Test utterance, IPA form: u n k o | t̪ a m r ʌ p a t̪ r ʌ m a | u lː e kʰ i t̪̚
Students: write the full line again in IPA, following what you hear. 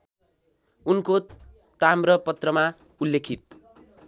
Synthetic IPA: u n k o | t̪ a m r ʌ p ʌ t̪ r ʌ m a | u lː e kʰ i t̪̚